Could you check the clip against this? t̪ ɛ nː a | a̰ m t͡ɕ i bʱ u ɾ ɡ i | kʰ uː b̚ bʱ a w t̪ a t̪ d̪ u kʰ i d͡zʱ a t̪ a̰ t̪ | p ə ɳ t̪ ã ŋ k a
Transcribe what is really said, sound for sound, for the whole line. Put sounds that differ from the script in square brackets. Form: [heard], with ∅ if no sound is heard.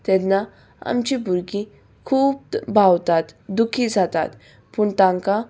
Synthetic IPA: t̪ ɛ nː a | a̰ m t͡ɕ i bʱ u ɾ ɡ i | kʰ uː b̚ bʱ a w t̪ a t̪ d̪ u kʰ i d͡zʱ a t̪ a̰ t̪ | p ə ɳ t̪ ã ŋ k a